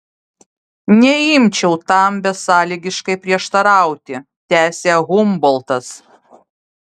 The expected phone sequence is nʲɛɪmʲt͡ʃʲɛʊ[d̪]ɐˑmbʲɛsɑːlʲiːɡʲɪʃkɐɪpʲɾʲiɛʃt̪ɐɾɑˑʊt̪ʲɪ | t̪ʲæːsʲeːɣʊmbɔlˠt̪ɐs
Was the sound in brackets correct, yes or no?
no